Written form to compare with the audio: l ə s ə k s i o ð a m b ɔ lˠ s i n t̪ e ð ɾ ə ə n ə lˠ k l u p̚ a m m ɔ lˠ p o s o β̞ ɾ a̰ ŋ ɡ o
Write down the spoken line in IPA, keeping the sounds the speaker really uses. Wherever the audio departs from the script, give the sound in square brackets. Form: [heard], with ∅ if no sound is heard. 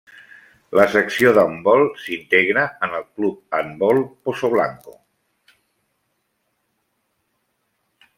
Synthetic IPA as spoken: l ə s ə k s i o ð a m b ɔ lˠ s i n t̪ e [ɣ] ɾ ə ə n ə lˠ k l u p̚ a m [b] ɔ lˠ p o s o β̞ [l] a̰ ŋ [k] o